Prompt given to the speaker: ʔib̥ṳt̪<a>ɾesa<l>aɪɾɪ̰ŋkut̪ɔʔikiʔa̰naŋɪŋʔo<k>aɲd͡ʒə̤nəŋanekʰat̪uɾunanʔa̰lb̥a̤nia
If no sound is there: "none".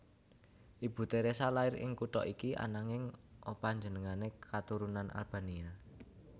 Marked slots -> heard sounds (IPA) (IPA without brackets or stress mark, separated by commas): e, l, p